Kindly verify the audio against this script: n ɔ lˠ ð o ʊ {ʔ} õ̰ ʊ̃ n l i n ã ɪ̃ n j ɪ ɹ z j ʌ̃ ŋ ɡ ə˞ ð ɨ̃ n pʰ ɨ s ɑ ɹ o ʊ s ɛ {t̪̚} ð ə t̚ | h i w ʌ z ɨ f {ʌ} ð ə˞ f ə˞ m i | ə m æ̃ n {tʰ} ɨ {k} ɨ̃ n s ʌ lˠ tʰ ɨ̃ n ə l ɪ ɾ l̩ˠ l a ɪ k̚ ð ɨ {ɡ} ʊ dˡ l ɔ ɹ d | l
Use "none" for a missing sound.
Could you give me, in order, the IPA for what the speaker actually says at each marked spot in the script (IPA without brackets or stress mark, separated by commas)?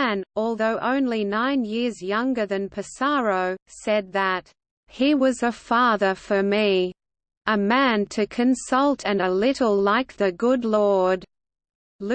ʔ, d̪̚, ɑ, tʰ, kʰ, ɡ